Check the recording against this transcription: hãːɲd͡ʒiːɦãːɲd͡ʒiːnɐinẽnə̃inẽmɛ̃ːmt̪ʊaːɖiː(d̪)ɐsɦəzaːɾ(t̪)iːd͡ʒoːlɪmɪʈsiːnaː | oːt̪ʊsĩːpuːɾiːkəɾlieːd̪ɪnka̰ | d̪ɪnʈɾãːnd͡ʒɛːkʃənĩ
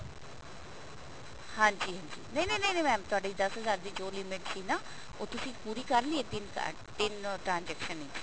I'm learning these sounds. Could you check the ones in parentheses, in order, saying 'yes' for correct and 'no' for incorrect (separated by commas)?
yes, no